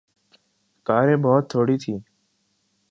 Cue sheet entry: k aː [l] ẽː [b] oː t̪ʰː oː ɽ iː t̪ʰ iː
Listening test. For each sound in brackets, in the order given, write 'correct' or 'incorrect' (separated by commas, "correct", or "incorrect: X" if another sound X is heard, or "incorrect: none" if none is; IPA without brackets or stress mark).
incorrect: ɾ, correct